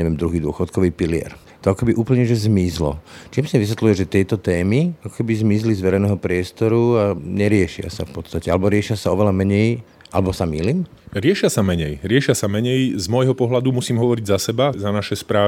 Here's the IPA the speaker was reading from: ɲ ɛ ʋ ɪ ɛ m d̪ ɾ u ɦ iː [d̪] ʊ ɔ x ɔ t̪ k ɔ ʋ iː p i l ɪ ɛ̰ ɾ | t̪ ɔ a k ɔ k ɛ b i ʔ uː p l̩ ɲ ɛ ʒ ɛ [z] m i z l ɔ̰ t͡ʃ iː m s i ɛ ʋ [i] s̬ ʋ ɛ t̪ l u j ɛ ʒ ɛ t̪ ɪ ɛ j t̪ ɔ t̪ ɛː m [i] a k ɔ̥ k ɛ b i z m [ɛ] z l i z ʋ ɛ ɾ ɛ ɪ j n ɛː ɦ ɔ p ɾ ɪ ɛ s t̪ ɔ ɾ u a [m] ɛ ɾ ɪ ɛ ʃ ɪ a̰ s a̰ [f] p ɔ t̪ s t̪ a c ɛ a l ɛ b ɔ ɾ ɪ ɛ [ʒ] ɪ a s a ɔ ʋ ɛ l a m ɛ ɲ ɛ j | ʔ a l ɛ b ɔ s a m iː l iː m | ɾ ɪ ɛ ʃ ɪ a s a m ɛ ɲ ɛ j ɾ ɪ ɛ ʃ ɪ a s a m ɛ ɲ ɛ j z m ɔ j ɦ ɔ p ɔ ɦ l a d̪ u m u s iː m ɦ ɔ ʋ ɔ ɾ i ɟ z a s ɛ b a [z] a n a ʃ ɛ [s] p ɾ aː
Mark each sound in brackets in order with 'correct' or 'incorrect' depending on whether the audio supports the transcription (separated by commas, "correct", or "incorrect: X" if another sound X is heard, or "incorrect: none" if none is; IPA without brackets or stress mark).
correct, correct, correct, correct, incorrect: i, incorrect: ɲ, correct, incorrect: ʃ, correct, correct